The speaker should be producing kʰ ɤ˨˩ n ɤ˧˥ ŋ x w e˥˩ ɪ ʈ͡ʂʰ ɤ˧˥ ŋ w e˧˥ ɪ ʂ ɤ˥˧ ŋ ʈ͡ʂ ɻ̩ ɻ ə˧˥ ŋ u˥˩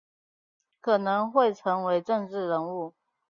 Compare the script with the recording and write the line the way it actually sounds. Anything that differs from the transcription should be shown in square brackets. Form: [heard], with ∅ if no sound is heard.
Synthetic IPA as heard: kʰ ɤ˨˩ n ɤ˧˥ ŋ x w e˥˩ ɪ ʈ͡ʂʰ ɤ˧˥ ŋ w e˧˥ ɪ [ʈ͡ʂ] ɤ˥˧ ŋ ʈ͡ʂ ɻ̩ ɻ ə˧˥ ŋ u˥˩